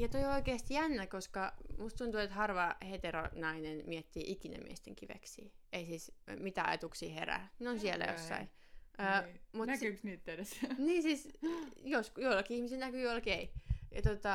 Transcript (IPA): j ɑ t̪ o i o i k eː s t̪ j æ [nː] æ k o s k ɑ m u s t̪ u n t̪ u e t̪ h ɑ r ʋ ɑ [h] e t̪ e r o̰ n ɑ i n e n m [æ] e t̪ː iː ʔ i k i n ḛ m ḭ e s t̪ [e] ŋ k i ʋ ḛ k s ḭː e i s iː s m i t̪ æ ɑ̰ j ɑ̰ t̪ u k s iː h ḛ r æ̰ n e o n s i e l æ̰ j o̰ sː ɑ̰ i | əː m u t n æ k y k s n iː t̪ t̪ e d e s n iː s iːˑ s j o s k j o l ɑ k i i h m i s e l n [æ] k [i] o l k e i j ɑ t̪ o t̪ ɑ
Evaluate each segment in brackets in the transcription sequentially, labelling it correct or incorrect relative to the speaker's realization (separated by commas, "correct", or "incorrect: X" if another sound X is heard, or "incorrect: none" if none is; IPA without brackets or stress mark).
correct, correct, incorrect: i, correct, correct, incorrect: y